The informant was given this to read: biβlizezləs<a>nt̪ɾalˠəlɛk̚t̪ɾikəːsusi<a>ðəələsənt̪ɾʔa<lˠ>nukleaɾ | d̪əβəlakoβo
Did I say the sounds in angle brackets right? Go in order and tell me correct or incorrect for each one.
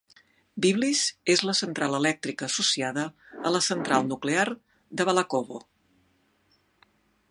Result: incorrect: ə, correct, correct

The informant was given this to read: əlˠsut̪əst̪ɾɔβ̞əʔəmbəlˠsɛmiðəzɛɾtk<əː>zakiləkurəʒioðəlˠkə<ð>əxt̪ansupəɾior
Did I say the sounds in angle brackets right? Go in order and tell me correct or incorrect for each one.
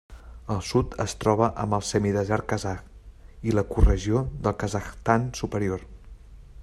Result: incorrect: ə, incorrect: z

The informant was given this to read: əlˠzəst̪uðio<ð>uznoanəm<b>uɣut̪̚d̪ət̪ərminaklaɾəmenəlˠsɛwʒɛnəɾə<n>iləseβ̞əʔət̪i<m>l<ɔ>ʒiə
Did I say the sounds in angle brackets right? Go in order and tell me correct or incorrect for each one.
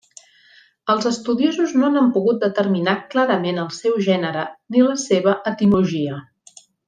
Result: incorrect: z, incorrect: p, correct, correct, incorrect: u

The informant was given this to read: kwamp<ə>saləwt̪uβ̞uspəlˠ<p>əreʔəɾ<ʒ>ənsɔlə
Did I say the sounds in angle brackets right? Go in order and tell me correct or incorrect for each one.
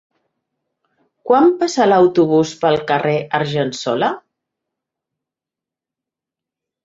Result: incorrect: a, incorrect: k, correct

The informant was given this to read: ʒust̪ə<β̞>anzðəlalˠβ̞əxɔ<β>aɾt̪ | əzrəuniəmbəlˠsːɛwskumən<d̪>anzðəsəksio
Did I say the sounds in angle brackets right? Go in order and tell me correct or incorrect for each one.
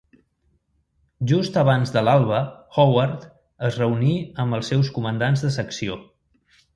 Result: correct, incorrect: w, correct

